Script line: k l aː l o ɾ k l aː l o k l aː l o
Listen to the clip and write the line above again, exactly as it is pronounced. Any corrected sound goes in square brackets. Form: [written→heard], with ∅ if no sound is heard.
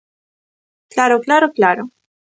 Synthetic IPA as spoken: k l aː [l→ɾ] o [ɾ→∅] k l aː [l→ɾ] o k l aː [l→ɾ] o